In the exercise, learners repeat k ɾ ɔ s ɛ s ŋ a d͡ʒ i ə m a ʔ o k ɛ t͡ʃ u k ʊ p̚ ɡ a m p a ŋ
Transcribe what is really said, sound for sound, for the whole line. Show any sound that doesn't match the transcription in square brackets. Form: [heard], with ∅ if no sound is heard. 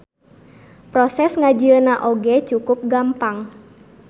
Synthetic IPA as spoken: [p] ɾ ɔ s ɛ s ŋ a d͡ʒ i ə [n] a ʔ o [ɡ] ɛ t͡ʃ u k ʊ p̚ ɡ a m p a ŋ